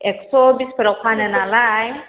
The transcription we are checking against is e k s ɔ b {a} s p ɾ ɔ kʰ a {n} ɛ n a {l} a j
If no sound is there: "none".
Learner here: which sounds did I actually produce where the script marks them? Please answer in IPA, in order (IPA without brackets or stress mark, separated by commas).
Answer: i, n, l